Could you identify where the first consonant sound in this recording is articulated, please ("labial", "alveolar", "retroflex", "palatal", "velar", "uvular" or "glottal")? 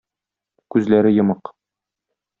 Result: velar